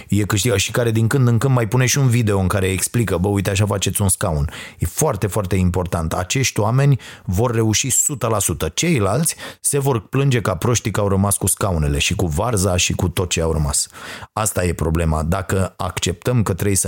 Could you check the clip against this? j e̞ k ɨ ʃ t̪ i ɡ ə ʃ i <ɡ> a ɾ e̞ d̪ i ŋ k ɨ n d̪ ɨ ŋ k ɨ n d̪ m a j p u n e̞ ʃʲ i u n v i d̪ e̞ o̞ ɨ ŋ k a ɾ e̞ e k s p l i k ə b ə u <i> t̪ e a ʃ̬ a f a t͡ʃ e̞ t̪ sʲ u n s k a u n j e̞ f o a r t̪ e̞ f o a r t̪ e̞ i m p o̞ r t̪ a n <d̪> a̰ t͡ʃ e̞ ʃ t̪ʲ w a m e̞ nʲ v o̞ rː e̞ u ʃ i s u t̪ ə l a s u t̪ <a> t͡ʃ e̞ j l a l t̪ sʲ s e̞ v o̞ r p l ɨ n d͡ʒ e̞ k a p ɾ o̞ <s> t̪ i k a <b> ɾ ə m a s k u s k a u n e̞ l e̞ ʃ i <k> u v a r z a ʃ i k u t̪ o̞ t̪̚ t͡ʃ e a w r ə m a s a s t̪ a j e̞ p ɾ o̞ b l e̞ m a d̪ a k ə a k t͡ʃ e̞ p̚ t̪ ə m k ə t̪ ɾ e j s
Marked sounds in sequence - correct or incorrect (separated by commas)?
incorrect, incorrect, incorrect, incorrect, incorrect, incorrect, correct